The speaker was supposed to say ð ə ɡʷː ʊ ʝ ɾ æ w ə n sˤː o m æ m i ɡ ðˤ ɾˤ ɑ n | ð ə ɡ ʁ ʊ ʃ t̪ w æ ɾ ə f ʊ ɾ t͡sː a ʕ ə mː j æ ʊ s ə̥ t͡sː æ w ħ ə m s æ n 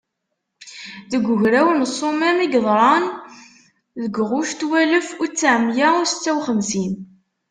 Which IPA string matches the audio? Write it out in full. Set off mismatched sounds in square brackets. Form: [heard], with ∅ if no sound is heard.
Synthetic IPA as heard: ð ə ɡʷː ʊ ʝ ɾ æ w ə n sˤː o m æ m i ɡ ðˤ ɾˤ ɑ n | ð ə ɡ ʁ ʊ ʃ t̪ w æ [l] ə f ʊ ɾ t͡sː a ʕ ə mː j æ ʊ s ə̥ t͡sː æ w [χ] ə m s [i] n